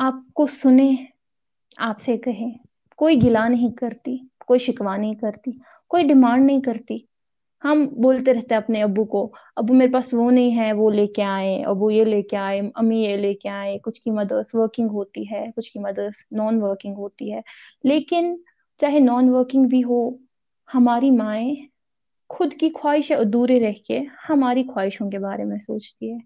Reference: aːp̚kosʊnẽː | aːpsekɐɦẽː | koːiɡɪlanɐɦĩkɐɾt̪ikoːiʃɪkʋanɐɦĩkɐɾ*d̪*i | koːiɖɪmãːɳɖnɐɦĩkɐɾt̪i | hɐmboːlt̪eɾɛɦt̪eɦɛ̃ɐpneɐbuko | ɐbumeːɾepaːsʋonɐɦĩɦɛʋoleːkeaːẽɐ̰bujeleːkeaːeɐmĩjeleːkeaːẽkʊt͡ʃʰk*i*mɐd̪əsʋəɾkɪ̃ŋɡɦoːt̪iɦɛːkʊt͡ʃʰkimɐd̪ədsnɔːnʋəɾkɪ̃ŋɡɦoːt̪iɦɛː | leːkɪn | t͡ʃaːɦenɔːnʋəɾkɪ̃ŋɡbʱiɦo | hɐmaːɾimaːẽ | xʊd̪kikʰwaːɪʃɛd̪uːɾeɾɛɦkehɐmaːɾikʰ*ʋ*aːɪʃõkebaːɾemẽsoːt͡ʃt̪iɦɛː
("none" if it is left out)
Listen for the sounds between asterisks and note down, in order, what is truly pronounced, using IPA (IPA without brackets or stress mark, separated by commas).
t̪, i, w